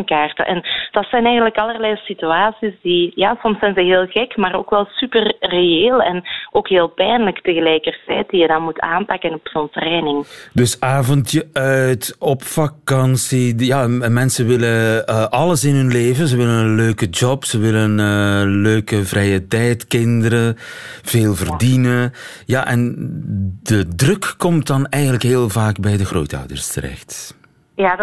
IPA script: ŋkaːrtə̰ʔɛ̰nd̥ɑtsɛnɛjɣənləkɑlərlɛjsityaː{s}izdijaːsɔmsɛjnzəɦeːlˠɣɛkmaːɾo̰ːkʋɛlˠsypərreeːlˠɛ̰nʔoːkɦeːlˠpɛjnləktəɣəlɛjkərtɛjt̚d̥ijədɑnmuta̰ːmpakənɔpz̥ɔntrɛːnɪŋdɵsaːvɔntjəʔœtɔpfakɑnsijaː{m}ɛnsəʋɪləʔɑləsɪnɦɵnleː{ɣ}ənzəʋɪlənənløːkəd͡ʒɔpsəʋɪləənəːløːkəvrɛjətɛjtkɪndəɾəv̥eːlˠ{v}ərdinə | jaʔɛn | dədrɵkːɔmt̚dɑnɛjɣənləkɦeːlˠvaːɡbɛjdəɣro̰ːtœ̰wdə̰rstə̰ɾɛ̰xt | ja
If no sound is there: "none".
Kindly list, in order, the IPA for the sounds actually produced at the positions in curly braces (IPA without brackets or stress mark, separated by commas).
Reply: s, m, v, v